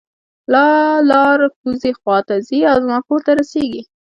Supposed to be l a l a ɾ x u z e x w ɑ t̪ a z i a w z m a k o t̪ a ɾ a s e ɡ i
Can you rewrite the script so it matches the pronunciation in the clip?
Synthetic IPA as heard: l ɑ l ɑ ɾ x u z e x w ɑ t̪ a z i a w z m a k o t̪ a ɾ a s e ɡ i